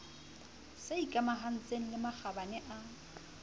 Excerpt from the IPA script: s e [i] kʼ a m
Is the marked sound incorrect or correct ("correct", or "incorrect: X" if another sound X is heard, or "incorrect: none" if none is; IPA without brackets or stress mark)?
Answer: correct